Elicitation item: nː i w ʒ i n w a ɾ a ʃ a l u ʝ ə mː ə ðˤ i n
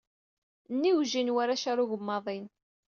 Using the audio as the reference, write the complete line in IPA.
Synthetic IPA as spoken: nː i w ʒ i n w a ɾ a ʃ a ɾ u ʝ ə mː ɑ ðˤ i n